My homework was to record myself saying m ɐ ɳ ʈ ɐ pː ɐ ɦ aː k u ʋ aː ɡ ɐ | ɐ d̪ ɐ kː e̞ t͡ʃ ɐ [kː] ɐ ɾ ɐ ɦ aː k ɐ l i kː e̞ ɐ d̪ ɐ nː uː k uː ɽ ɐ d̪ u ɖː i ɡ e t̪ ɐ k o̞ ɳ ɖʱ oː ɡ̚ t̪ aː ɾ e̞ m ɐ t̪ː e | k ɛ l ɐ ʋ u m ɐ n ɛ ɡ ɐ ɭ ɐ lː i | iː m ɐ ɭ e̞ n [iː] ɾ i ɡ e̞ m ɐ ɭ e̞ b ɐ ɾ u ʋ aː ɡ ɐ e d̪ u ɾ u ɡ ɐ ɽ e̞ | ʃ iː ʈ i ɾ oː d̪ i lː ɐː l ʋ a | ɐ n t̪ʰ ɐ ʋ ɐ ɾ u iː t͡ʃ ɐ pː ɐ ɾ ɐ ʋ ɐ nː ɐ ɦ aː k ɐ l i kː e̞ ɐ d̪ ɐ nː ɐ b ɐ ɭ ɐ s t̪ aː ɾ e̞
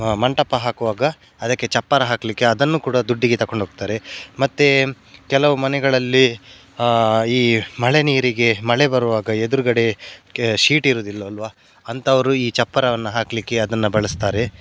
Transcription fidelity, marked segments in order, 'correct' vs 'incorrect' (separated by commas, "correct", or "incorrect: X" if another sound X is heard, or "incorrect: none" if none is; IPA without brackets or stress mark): incorrect: pː, correct